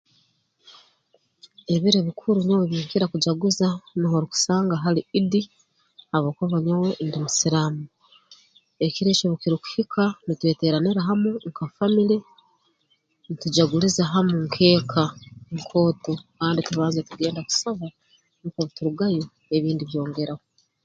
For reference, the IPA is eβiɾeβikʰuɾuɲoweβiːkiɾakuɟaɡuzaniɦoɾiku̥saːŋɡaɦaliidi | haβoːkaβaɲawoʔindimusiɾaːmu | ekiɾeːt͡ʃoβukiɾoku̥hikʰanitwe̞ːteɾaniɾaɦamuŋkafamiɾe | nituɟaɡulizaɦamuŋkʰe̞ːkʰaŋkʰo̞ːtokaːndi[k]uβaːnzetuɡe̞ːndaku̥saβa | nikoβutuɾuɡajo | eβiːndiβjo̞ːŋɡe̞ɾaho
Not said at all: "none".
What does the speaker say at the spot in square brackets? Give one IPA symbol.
t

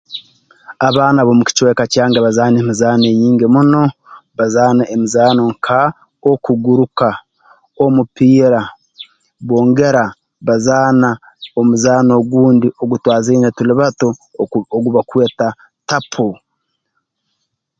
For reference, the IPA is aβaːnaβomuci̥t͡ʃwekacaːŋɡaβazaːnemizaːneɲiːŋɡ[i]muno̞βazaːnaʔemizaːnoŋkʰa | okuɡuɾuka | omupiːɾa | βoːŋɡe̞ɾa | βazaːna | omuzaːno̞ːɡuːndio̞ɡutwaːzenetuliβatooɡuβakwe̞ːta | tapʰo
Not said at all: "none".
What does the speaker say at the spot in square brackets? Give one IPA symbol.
e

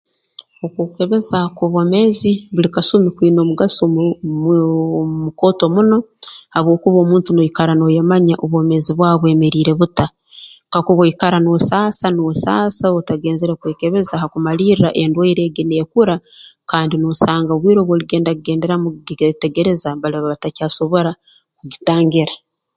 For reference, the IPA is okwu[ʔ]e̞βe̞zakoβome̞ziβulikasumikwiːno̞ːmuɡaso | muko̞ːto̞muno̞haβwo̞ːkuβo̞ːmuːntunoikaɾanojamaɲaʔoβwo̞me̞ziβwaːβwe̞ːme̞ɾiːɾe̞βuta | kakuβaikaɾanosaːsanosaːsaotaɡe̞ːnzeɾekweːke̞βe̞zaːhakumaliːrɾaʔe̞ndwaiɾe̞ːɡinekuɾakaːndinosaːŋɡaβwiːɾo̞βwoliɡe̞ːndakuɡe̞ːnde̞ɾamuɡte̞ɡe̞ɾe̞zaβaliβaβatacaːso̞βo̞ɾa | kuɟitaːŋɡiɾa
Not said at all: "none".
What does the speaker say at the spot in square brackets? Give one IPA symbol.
k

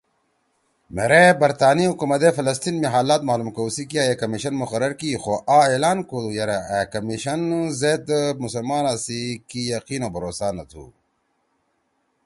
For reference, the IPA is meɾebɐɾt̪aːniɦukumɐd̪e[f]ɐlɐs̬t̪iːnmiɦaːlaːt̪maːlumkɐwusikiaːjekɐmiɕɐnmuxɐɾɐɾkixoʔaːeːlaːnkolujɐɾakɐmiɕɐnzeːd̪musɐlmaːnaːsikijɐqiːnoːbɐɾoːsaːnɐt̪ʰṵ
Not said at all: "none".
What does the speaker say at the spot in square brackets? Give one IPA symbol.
f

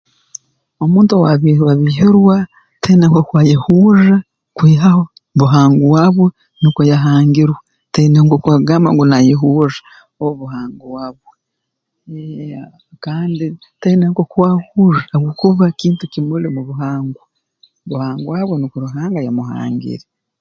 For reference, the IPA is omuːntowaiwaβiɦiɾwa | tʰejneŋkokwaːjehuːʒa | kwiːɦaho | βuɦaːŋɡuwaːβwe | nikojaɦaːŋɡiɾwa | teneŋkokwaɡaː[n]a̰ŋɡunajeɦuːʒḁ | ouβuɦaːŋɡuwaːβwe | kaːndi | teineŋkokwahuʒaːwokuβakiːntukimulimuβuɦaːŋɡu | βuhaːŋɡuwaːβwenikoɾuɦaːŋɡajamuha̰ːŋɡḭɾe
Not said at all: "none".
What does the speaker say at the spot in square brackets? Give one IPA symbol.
m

